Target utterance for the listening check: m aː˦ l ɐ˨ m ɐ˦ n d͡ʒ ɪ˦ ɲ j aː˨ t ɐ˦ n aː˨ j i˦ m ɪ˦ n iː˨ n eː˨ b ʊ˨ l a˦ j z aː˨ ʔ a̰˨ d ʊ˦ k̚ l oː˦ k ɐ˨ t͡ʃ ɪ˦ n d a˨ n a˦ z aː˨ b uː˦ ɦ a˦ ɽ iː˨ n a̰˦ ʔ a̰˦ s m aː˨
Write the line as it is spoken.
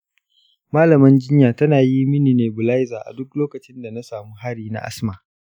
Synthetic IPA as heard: m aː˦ l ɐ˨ m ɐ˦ n d͡ʒ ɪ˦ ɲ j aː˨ t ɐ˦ n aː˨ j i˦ m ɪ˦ n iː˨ n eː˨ b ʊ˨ l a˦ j z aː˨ ʔ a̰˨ d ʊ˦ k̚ l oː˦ k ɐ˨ t͡ʃ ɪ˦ n d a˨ n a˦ s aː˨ m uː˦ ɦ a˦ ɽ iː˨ n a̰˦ ʔ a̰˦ s m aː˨